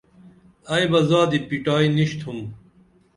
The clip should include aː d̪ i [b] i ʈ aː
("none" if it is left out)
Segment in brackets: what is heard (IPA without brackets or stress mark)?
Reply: p